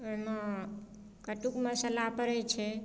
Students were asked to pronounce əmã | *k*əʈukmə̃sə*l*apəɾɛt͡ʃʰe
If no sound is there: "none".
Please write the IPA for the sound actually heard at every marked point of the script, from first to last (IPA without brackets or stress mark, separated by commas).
k, l